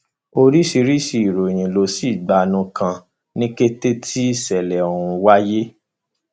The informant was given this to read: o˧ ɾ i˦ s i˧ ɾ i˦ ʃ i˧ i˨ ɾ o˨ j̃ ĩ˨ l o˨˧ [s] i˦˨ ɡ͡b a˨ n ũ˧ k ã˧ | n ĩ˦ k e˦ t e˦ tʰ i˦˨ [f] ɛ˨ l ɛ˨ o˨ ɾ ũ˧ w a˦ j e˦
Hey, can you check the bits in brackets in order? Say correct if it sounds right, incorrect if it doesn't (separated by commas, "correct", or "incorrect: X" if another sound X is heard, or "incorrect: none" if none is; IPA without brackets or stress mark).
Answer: correct, incorrect: s